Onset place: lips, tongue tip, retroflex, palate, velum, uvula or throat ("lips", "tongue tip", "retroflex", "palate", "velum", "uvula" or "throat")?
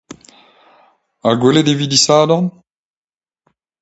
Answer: velum